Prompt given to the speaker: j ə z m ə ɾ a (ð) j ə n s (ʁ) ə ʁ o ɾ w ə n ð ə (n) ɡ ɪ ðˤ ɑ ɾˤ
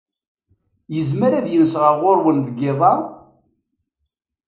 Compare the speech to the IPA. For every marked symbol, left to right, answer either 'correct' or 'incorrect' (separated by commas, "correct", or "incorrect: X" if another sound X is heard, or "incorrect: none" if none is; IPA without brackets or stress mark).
correct, correct, incorrect: none